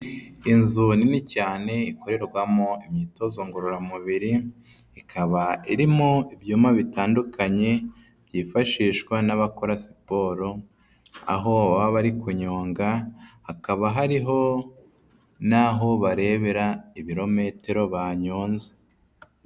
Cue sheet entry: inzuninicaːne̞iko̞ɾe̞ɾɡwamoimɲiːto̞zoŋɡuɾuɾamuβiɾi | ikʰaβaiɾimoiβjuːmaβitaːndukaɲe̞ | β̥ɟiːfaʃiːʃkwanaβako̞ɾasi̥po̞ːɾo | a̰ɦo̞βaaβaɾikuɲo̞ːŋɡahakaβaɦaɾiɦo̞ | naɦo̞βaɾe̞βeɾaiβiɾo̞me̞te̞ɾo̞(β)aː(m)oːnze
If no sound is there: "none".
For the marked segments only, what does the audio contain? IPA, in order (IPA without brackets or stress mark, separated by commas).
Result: β, ɲ